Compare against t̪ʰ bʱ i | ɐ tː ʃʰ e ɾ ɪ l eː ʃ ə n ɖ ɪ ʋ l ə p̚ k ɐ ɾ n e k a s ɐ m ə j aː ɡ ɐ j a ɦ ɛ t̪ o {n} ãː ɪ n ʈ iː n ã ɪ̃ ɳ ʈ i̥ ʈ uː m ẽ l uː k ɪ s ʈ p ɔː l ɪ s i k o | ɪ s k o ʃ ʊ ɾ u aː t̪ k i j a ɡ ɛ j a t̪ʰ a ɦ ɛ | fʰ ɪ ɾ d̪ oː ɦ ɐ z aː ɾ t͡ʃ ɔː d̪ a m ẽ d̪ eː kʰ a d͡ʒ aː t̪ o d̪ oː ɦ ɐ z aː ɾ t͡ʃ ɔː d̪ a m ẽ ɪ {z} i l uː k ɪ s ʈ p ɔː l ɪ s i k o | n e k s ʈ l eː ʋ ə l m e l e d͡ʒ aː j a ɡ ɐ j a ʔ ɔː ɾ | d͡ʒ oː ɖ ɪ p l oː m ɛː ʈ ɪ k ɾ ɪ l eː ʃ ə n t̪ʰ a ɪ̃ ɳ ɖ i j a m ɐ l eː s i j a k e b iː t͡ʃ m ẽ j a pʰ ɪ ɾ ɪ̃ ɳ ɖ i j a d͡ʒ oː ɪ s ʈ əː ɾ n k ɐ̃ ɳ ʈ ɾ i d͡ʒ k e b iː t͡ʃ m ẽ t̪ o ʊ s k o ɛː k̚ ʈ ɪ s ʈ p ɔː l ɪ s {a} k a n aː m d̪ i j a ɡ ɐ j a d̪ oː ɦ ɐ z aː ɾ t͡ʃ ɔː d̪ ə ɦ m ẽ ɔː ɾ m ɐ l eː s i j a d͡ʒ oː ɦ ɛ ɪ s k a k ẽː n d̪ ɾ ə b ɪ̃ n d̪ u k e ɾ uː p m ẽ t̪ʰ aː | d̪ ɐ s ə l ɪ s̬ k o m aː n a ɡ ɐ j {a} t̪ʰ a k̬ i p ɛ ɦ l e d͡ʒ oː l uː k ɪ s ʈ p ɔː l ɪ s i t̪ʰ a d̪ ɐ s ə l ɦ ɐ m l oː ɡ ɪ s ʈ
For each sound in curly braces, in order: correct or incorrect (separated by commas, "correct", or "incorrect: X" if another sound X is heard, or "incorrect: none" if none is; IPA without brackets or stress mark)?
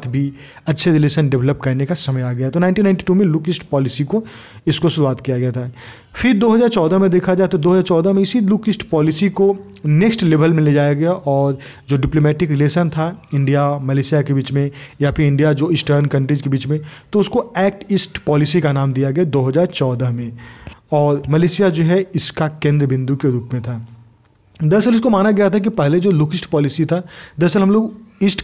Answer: correct, incorrect: s, incorrect: i, correct